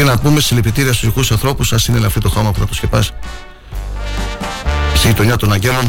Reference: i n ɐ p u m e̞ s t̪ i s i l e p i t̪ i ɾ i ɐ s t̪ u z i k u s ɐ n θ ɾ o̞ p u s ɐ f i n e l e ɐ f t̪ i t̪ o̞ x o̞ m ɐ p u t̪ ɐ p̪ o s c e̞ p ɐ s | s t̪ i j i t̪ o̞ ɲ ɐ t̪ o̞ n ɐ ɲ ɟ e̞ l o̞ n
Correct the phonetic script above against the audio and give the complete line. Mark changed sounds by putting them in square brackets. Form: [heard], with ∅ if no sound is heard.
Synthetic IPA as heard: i n ɐ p u m e̞ s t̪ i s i l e p i t̪ i ɾ i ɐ s t̪ u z i k u s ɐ n θ ɾ o̞ p u s ɐ [s] i n e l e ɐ f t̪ i t̪ o̞ x o̞ m ɐ p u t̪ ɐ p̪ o s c e̞ p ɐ s | s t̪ i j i t̪ o̞ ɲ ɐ t̪ o̞ n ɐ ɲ ɟ e̞ l o̞ n